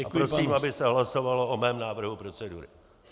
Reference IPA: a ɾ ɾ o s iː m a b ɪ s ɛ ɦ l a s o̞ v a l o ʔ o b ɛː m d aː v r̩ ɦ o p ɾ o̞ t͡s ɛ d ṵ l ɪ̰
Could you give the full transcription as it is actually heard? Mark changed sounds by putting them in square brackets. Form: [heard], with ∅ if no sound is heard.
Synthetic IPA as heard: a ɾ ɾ o s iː m a b ɪ s ɛ ɦ l a s o̞ v a l o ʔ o [m] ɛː m [n] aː v r̩ ɦ [u] p ɾ o̞ t͡s ɛ d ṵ [ɾ] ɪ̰